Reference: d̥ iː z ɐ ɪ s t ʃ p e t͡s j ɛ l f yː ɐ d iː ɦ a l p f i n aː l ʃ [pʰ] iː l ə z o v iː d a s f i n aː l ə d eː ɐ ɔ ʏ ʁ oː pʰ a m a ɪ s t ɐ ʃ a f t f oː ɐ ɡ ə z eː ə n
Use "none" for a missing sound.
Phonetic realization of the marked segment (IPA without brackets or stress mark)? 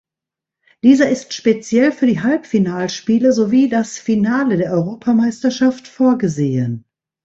p